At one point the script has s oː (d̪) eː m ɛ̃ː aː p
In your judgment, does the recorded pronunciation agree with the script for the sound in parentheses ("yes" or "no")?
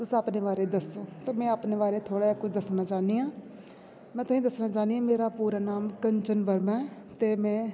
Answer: no